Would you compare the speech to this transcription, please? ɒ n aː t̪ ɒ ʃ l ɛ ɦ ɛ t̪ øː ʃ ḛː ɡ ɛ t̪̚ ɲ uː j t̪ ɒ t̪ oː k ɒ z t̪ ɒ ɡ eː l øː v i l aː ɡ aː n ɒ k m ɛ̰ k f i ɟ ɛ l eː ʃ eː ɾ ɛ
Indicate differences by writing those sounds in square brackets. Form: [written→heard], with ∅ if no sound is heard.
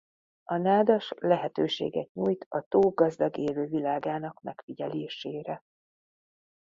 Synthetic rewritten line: ɒ n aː [t̪→d̪] ɒ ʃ l ɛ ɦ ɛ t̪ øː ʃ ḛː ɡ ɛ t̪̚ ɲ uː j t̪ ɒ t̪ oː [k→ɡ] ɒ z [t̪→d̪] ɒ ɡ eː l øː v i l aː ɡ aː n ɒ k m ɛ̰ k f i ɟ ɛ l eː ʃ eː ɾ ɛ